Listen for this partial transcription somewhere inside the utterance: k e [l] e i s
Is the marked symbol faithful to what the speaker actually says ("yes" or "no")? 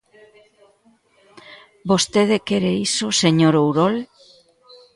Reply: no